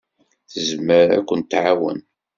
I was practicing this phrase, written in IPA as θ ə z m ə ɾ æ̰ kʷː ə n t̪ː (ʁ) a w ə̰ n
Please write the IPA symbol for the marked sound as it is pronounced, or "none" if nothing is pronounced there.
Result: ʕ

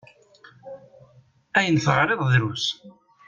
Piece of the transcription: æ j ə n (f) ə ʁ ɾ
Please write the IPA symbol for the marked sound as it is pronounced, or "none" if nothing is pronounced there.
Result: θ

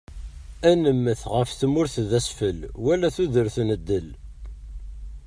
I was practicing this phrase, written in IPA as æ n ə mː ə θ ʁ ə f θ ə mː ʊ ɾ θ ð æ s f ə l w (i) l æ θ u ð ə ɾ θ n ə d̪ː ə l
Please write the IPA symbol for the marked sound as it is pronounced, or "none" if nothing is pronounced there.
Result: æ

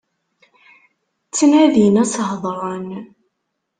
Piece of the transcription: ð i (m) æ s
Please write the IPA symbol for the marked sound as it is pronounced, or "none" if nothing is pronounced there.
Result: n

